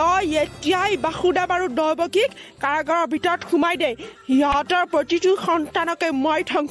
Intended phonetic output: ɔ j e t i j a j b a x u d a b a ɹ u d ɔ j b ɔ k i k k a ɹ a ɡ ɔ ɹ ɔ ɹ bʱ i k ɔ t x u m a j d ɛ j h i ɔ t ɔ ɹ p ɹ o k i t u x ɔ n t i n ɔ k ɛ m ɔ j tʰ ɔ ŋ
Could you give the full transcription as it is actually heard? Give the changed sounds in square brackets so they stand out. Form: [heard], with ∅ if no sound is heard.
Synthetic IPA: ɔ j e t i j a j b a x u d a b a ɹ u d ɔ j b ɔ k i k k a ɹ a ɡ ɔ ɹ ɔ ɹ bʱ i [t] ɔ t x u m a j d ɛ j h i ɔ t ɔ ɹ p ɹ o [t] i t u x ɔ n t [a] n ɔ k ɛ m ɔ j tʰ ɔ ŋ